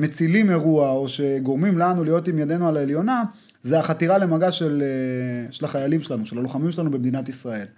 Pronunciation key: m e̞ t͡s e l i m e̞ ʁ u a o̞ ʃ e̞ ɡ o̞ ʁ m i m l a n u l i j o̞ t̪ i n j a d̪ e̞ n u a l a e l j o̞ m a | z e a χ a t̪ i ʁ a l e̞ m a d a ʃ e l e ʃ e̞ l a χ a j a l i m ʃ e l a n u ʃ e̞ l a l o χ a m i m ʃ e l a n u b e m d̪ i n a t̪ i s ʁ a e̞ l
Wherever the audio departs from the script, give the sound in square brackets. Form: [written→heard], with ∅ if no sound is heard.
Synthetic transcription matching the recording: m e̞ t͡s [e→i] l i m e̞ ʁ u a o̞ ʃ e̞ ɡ o̞ ʁ m i m l a n u l i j o̞ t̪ i [n→m] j a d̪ e̞ n u a l a e l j o̞ [m→n] a | z e a χ a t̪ i ʁ a l e̞ m a [d→ɡ] a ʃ e l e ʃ e̞ l a χ a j a l i m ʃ e l a n u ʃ e̞ l a l o χ a m i m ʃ e l a n u b e m d̪ i n a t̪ i s ʁ a e̞ l